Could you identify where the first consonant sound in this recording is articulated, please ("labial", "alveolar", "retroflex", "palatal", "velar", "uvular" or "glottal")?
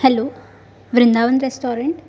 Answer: glottal